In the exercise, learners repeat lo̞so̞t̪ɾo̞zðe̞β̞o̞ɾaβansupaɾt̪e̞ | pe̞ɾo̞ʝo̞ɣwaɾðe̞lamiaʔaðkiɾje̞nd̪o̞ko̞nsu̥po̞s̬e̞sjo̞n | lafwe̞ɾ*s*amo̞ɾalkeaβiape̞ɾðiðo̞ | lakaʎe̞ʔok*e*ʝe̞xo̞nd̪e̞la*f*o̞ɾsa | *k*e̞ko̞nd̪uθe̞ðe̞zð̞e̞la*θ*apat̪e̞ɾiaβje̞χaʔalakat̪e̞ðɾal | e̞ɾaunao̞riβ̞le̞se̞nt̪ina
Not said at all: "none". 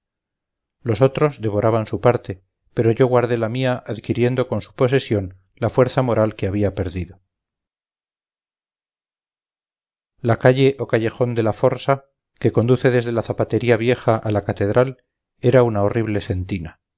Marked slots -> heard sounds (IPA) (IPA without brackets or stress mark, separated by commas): θ, a, f, k, θ